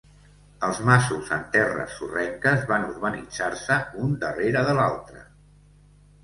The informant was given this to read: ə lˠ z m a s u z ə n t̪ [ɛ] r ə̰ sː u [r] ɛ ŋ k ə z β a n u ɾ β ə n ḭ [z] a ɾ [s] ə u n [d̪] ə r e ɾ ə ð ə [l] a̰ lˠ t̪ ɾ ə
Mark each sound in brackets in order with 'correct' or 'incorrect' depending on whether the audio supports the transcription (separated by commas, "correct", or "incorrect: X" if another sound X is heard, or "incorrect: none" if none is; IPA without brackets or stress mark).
correct, correct, incorrect: d͡z, correct, correct, correct